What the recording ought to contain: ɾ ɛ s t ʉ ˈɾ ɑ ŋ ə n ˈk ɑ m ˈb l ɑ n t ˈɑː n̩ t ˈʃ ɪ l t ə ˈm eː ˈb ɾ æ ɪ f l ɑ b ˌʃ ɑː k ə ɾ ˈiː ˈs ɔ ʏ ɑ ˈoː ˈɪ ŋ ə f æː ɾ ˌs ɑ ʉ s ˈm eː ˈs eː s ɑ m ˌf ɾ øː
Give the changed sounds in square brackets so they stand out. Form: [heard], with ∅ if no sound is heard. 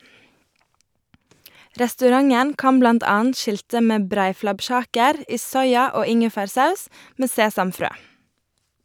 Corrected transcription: ɾ ɛ s t ʉ ˈɾ ɑ ŋ ə n ˈk ɑ m ˈb l ɑ n t ˈɑː n̩ t ˈʃ ɪ l t ə ˈm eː ˈb ɾ æ ɪ f l ɑ b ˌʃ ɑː k ə ɾ ˈiː ˈs ɔ ʏ ɑ ˈoː ˈɪ ŋ ə f æː ɾ ˌs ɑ ʉ s ˈm eː ˈs eː s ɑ m ˌf ɾ øː